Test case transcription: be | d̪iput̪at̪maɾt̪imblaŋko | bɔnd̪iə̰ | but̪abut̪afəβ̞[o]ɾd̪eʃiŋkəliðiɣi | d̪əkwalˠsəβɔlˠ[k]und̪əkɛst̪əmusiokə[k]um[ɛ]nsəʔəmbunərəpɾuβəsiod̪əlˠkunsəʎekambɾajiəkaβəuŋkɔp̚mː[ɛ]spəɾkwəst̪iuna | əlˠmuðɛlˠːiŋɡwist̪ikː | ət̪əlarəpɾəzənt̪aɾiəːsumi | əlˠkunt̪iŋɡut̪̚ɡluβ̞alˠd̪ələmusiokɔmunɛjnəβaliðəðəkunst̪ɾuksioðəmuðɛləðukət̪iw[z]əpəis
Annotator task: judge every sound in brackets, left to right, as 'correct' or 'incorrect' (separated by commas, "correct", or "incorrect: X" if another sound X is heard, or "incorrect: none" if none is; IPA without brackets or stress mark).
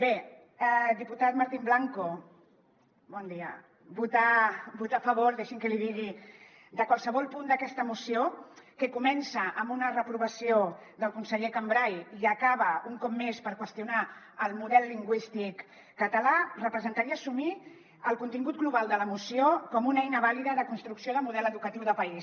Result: correct, incorrect: p, correct, correct, incorrect: e, incorrect: ð